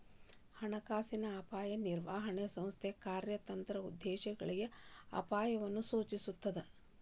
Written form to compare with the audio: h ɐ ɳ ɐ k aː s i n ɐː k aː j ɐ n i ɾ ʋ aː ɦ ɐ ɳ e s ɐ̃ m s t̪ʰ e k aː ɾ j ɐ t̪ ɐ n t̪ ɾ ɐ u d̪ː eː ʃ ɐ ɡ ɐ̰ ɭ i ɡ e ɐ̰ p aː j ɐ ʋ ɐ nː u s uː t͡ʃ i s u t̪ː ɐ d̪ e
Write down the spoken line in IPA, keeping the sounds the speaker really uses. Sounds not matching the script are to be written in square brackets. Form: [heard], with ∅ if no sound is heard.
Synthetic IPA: h ɐ ɳ ɐ k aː s i n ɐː [p] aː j ɐ n i ɾ ʋ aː ɦ ɐ ɳ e s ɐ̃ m s t̪ʰ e k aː ɾ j ɐ t̪ ɐ n t̪ ɾ ɐ u d̪ː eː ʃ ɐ ɡ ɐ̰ ɭ i ɡ e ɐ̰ p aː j ɐ ʋ ɐ nː u s uː t͡ʃ i s u t̪ː ɐ d̪ e